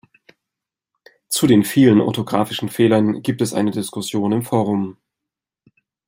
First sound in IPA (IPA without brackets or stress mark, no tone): t͡s